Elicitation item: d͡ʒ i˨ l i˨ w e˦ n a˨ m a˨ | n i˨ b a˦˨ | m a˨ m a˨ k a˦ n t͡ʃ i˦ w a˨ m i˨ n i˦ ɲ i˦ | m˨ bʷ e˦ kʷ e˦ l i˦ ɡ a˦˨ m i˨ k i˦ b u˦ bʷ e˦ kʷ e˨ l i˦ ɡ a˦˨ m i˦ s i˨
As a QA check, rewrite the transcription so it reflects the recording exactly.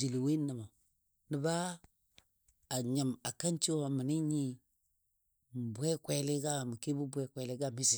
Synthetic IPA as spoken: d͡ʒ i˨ l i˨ w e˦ n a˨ m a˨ | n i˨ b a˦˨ | ɲ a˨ m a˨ k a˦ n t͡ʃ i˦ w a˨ m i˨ n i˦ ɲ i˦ | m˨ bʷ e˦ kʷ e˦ l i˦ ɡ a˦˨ m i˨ k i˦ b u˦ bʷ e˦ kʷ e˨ l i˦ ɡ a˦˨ m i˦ s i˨